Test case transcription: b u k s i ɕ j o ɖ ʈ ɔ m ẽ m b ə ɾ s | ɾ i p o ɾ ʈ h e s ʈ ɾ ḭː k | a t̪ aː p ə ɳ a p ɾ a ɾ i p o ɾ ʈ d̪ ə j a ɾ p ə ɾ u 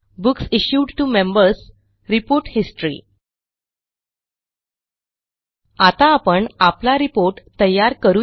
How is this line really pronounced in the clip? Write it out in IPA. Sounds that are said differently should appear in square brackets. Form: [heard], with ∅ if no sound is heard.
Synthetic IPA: b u k s i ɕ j [u] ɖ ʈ [u] m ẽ m b ə ɾ s | ɾ i p o ɾ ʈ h [i] s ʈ ɾ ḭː [∅] | a t̪ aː p ə ɳ a p [l] a ɾ i p o ɾ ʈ [t̪] ə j a ɾ [k] ə ɾ u